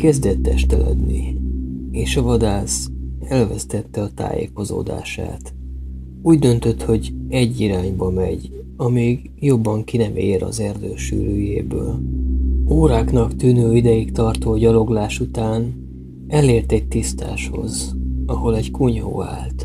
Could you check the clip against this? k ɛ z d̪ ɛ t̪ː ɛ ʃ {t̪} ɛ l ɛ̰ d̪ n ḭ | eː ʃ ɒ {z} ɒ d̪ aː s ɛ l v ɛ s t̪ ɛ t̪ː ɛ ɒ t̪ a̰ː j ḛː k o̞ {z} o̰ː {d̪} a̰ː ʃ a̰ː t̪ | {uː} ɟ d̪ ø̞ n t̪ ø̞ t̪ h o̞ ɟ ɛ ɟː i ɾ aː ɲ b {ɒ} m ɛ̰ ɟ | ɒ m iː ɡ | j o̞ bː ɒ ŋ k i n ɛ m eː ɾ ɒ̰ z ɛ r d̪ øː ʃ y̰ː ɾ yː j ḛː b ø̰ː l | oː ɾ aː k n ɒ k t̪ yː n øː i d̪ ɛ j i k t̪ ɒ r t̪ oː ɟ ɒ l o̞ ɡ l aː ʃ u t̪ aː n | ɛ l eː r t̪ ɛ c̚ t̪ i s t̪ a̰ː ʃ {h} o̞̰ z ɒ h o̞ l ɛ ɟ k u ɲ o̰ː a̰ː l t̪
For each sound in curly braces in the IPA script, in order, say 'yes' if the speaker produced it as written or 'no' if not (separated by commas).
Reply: yes, no, yes, yes, yes, yes, yes